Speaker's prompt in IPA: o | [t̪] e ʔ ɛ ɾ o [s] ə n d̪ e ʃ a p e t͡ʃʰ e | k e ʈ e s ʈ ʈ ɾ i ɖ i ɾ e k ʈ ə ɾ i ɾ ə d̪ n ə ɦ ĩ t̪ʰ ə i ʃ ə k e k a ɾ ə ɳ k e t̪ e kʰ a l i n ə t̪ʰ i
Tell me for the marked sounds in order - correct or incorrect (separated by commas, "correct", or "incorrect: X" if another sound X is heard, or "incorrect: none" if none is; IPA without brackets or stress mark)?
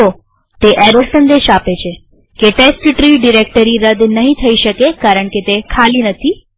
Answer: correct, correct